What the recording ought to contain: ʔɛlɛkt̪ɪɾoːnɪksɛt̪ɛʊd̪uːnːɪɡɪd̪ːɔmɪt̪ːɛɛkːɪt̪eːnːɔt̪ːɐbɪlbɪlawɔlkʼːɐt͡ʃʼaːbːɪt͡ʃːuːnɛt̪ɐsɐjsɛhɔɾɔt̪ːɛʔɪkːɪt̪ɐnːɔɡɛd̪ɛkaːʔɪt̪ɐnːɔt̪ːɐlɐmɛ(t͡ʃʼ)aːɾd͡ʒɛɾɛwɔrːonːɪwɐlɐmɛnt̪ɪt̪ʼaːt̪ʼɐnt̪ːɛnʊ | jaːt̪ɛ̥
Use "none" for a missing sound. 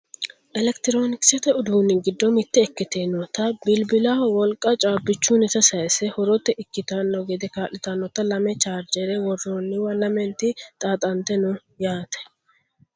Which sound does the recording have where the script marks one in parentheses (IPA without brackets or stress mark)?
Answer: t͡ʃ